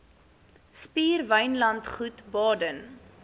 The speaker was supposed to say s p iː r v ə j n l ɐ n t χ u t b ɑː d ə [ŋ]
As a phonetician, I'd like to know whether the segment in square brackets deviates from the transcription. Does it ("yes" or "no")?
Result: yes